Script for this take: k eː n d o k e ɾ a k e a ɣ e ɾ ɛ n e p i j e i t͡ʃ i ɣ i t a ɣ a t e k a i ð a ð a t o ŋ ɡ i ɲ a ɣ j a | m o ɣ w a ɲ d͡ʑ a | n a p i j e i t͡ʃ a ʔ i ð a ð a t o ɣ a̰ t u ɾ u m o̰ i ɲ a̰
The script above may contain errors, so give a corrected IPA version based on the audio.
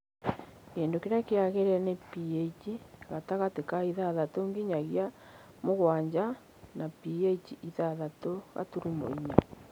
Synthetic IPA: k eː n d o k e ɾ a k e a ɣ e ɾ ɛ n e p i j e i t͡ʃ i ɣ a t a ɣ a t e k a i ð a ð a t o ŋ ɡ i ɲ a ɣ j a | m o ɣ w a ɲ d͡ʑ a | n a p i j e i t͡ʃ i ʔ i ð a ð a t o ɣ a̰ t u ɾ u m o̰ i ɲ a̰

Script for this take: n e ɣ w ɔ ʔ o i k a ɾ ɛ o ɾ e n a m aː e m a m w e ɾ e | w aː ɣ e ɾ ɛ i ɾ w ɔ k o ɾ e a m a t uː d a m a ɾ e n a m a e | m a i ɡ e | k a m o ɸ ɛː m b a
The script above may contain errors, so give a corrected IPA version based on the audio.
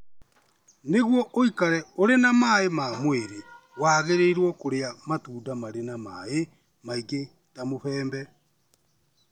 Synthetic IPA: n e ɣ w ɔ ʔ o i k a ɾ ɛ o ɾ e n a m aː e m a m w e ɾ e | w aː ɣ e ɾ e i ɾ w ɔ k o ɾ e a m a t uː d a m a ɾ e n a m a e | m a i ɡ e | t a m o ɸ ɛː m b ɛ

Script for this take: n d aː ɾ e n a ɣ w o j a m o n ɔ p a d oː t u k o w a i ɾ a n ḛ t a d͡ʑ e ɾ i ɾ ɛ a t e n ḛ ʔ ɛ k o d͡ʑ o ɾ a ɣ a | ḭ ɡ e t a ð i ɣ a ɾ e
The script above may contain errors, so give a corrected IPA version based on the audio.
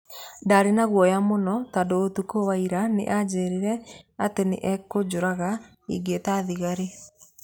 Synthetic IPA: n d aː ɾ e n a ɣ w ɔ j a m o n ɔ t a d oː t u k o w a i ɾ a n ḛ ʔ a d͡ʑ e ɾ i ɾ ɛ a t e n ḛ ʔ ɛ k o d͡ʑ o ɾ a ɣ a | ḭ ɡ e t a ð i ɣ a ɾ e

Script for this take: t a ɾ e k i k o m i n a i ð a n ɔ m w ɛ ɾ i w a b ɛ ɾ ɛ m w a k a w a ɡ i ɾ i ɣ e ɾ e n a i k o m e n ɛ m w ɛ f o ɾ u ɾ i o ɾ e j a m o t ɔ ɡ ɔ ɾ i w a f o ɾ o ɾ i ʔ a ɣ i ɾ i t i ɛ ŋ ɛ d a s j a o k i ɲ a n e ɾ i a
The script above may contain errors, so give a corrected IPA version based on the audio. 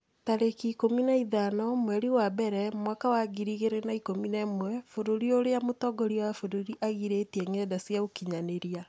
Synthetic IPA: t a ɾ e k i k o m i n a i ð a n ɔ m w ɛ ɾ i w a b ɛ ɾ ɛ m w a k a w a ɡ i ɾ i ɣ e ɾ e n a i k o m i n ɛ m w ɛ f o ɾ o ɾ i o ɾ e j a m o t ɔ ɡ ɔ ɾ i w a f o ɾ o ɾ i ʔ a ɣ i ɾ e t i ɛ ŋ ɛ d a s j a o k i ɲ a n e ɾ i a

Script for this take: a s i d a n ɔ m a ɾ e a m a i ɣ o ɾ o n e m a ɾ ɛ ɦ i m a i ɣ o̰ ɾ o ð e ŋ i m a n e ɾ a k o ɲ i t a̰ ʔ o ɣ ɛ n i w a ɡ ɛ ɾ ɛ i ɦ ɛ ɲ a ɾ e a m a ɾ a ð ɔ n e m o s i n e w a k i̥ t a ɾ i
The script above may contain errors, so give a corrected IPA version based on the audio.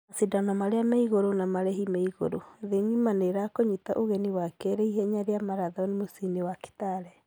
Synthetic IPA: a s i d a n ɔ m a ɾ e a m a i ɣ o ɾ o n a m a ɾ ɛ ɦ i m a i ɣ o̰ ɾ o ð e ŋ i m a n e ɾ a k o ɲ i t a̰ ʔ o ɣ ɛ n i w a k ɛ ɾ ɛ i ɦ ɛ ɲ a ɾ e a m a ɾ a ð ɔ n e m o s i n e w a k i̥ t a ɾ ɛ

